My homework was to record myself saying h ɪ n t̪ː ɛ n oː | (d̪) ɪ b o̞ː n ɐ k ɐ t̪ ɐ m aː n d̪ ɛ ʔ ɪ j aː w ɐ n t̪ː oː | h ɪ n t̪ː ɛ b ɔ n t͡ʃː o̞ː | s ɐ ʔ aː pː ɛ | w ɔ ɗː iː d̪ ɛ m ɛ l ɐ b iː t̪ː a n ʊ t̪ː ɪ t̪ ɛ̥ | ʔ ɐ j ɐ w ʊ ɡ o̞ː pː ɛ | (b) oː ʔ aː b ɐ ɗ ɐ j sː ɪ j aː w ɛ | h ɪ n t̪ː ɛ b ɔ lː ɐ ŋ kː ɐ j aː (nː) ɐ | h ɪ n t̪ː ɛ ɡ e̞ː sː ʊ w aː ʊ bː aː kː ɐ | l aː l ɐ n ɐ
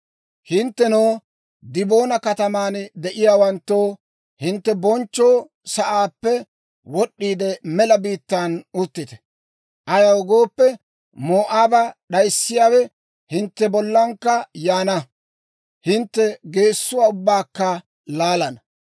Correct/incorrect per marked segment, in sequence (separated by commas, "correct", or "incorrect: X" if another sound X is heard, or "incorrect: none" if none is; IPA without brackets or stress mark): correct, incorrect: m, incorrect: n